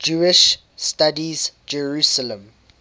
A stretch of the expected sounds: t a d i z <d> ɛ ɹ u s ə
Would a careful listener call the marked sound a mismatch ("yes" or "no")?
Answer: yes